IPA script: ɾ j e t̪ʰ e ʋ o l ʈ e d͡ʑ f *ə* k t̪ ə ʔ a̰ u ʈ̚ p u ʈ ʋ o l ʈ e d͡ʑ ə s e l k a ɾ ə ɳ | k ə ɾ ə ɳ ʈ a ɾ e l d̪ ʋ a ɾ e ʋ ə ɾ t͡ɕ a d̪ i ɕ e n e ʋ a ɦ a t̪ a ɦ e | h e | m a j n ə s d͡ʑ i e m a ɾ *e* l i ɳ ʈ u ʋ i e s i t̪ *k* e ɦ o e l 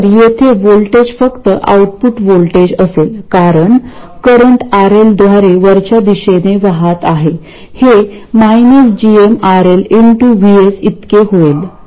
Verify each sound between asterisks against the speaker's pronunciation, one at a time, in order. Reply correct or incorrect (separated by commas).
correct, correct, correct